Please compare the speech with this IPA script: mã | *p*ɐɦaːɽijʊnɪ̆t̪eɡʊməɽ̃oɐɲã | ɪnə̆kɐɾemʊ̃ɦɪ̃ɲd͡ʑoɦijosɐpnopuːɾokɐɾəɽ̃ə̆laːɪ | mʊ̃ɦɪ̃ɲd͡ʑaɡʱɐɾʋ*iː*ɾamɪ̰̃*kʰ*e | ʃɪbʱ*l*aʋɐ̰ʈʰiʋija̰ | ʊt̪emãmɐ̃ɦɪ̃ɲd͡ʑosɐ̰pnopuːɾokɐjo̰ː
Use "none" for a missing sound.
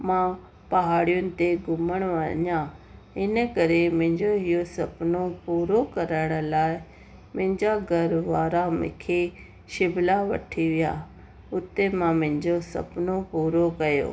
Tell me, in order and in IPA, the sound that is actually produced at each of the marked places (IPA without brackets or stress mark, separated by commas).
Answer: p, aː, kʰ, l